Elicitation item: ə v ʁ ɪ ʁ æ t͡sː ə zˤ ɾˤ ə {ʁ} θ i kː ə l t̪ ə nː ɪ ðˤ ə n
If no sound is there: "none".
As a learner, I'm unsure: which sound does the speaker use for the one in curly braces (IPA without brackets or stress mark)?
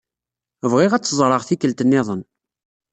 ʁ